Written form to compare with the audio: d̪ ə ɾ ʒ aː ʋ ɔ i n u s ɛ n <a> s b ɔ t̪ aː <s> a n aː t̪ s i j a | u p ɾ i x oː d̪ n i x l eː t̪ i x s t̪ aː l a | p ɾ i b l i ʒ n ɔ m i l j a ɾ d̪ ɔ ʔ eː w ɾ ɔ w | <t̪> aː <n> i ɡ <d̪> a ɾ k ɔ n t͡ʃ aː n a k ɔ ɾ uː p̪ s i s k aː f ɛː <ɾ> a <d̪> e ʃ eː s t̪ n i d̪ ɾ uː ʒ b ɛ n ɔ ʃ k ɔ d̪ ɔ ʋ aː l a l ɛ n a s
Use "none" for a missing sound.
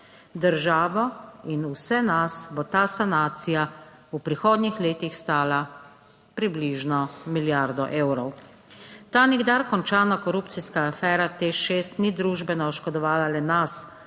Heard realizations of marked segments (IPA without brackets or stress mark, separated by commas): a, s, t̪, n, d̪, ɾ, t̪